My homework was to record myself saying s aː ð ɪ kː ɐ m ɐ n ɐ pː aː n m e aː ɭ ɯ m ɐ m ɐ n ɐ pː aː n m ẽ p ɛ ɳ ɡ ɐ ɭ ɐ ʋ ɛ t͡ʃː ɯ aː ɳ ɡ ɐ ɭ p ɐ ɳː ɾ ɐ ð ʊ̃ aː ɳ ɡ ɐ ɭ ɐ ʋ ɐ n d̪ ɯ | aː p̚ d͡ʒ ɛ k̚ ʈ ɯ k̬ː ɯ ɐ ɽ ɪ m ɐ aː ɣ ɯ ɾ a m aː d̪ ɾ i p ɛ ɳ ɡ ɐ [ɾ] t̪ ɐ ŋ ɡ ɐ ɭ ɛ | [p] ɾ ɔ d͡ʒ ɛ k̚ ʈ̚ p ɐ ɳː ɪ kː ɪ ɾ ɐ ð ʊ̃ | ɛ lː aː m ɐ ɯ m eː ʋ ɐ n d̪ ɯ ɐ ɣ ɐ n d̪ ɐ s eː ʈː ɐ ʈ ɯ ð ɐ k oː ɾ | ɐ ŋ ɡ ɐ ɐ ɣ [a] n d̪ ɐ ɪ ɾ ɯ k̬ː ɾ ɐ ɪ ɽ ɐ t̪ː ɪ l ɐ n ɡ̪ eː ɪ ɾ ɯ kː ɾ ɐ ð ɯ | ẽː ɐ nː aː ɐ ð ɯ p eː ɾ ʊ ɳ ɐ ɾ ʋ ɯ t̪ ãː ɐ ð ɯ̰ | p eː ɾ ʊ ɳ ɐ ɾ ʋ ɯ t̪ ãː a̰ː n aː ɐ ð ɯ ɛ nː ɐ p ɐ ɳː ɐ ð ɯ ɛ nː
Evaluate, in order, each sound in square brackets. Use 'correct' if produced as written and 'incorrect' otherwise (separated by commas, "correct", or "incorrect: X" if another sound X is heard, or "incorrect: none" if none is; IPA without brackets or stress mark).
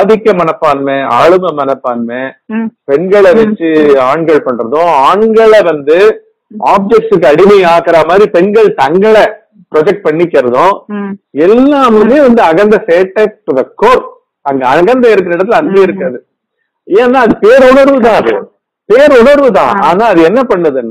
incorrect: ɭ, correct, incorrect: ɐ